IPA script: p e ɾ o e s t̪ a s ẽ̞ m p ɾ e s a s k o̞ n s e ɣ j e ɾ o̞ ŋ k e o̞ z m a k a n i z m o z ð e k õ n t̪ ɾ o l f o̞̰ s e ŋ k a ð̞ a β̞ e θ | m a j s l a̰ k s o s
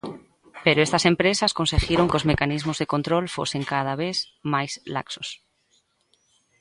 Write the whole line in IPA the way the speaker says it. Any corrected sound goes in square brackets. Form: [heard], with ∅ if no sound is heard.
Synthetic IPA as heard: p e ɾ o e s t̪ a s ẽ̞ m p ɾ e s a s k o̞ n s e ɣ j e ɾ o̞ ŋ k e o̞ z m [e] k a n i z m o z ð e k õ n t̪ ɾ o l f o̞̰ s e ŋ k a ð̞ a β̞ e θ | m a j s l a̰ k s o s